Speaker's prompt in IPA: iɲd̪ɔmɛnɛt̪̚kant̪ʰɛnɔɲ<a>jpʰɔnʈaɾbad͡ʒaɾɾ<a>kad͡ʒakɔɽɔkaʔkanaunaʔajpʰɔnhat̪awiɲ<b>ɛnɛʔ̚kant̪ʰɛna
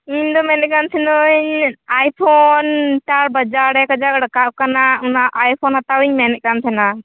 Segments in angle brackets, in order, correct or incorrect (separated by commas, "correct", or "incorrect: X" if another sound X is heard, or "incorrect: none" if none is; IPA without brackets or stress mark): correct, incorrect: ɛ, incorrect: m